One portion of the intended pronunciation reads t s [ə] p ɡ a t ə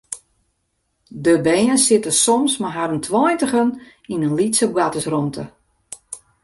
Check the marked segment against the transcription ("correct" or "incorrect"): correct